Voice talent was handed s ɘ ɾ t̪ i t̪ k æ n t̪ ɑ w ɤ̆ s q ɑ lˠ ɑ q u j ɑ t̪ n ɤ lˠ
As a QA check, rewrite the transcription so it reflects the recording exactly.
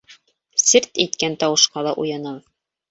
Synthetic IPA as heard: s ɘ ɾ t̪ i t̪ k æ n t̪ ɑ w ɤ̆ ʃ q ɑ lˠ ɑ ʔ u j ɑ n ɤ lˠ